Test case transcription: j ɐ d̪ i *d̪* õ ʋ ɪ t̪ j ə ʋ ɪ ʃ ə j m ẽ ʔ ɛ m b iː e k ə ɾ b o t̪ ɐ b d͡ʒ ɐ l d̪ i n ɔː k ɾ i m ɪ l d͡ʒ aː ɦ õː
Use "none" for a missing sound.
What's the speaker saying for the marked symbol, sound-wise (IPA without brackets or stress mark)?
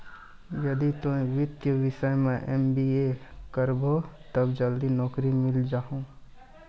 t̪